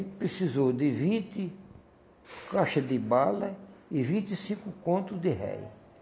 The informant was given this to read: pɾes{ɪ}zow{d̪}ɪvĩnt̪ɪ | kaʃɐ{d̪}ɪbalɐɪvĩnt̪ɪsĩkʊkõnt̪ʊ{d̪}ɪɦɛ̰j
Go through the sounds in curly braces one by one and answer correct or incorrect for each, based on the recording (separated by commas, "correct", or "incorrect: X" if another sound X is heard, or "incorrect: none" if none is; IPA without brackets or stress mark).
incorrect: i, correct, correct, correct